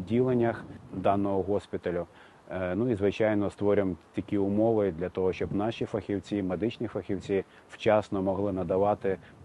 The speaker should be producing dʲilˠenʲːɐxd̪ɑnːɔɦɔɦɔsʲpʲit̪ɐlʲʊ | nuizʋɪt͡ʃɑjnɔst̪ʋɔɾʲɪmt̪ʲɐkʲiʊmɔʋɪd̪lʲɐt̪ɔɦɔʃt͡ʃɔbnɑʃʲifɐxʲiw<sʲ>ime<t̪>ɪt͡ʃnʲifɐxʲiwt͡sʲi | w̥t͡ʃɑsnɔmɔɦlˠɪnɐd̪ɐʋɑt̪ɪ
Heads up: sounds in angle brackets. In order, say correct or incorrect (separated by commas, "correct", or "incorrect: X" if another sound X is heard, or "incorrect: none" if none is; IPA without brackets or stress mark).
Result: incorrect: t͡sʲ, incorrect: d̪